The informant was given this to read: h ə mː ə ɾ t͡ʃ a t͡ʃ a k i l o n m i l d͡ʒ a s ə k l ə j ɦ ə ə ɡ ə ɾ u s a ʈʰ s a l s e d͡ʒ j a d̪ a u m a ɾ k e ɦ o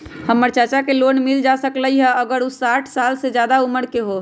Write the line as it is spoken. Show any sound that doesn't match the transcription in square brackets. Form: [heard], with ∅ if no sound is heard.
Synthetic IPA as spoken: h ə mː ə ɾ t͡ʃ a t͡ʃ a k [e] l o n m i l d͡ʒ a s ə k l ə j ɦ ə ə ɡ ə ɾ u s a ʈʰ s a l s e d͡ʒ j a d̪ a u m [ə] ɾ k e ɦ o